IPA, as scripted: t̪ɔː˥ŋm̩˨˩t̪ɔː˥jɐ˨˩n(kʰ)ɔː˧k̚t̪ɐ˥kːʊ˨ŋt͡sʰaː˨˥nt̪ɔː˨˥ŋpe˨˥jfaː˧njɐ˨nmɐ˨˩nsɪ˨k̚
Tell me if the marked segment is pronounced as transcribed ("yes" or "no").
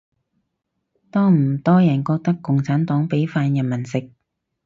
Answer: no